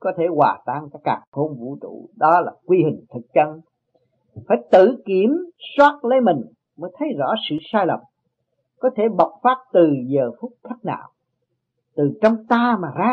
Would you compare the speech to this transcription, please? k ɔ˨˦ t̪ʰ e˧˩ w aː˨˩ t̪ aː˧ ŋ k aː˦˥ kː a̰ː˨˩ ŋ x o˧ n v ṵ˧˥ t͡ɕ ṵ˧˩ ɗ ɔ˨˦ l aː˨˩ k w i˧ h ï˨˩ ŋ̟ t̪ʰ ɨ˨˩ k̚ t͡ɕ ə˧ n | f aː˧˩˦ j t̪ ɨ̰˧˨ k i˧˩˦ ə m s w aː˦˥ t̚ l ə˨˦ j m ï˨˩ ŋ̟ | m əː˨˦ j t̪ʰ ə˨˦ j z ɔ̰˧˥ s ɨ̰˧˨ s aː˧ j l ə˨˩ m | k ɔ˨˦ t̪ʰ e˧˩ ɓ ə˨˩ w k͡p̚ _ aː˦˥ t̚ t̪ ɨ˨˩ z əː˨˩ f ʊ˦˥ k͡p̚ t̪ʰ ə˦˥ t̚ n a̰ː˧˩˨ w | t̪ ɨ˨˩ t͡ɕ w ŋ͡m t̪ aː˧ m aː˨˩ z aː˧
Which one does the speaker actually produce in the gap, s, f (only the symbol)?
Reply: f